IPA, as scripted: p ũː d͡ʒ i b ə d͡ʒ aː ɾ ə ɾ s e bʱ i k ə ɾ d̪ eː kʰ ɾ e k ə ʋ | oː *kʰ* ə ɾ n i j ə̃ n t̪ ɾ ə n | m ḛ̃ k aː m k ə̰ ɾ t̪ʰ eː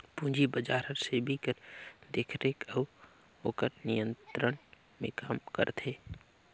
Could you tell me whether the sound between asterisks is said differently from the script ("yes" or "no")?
yes